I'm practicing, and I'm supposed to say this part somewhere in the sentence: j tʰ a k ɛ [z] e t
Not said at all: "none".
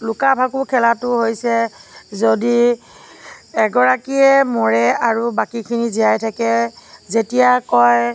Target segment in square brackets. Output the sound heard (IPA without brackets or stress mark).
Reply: z